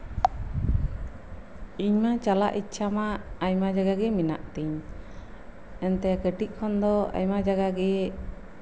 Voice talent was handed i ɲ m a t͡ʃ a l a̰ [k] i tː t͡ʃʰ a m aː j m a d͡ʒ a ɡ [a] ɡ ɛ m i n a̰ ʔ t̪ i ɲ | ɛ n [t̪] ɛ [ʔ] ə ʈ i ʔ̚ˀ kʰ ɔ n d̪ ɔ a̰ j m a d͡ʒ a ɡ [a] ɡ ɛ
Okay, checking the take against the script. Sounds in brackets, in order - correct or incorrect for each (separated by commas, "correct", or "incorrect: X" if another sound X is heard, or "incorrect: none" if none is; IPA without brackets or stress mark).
incorrect: ʔ, correct, correct, incorrect: k, correct